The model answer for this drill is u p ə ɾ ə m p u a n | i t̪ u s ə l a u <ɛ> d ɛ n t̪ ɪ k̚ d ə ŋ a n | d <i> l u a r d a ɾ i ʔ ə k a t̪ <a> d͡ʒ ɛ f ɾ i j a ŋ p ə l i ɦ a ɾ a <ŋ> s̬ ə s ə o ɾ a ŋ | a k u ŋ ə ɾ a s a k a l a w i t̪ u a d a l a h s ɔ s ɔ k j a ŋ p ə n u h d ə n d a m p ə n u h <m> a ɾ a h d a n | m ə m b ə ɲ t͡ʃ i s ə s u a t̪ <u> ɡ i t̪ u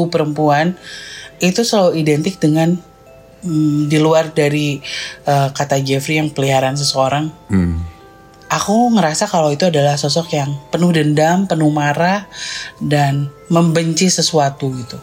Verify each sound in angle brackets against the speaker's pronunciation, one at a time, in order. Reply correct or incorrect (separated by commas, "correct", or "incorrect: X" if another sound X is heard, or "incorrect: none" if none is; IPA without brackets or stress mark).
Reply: incorrect: i, correct, correct, incorrect: n, correct, correct